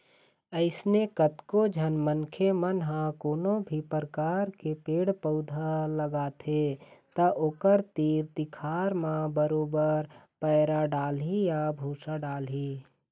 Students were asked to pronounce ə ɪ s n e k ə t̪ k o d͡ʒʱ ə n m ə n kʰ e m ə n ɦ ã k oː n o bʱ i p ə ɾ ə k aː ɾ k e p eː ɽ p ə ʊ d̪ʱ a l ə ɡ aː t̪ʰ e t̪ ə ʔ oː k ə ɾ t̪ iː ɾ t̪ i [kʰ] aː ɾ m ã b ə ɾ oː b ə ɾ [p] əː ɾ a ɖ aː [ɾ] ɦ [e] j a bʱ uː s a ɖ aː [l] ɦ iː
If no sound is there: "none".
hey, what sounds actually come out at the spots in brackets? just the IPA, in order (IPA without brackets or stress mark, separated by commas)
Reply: kʰ, p, l, i, l